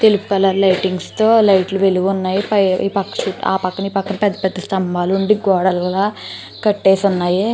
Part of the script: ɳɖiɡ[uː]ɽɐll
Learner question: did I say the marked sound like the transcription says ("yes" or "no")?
no